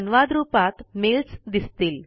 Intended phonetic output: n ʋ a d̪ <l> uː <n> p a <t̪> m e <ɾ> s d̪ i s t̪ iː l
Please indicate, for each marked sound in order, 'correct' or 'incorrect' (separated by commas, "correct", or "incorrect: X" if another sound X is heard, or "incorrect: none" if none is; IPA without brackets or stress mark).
incorrect: ɾ, incorrect: none, correct, incorrect: l